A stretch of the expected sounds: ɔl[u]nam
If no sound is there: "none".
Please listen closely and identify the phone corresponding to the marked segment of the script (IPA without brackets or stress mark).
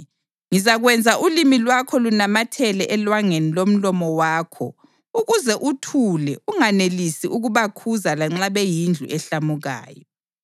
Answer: u